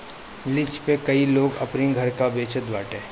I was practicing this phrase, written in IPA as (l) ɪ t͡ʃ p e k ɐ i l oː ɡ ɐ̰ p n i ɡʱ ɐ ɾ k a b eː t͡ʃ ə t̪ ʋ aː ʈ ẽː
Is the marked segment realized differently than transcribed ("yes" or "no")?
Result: no